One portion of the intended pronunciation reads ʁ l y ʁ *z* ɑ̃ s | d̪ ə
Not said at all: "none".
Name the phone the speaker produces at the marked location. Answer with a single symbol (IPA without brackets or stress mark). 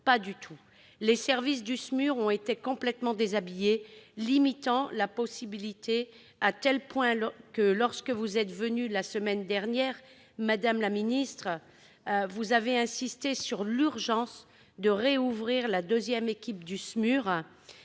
ʒ